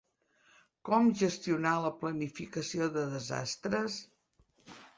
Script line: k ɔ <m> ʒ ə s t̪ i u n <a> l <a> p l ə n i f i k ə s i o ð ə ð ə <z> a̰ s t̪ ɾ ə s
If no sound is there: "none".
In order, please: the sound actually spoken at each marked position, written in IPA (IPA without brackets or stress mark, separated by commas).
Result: m, a, ə, z